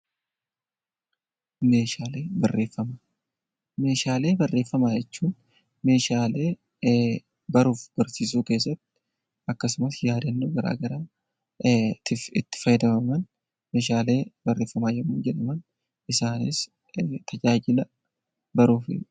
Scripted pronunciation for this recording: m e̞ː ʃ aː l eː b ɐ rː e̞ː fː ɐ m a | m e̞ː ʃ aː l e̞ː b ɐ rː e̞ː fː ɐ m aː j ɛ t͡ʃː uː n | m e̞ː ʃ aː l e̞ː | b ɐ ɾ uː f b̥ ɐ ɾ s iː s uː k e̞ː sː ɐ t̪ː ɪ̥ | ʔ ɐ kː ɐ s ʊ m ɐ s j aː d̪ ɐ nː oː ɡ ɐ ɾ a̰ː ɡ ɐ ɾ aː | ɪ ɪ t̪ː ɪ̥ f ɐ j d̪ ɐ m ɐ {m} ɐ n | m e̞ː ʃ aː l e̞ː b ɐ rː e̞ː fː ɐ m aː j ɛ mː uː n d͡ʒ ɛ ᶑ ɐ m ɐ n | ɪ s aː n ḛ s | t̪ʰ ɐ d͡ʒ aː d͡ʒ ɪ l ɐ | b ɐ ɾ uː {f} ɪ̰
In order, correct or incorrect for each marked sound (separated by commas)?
correct, correct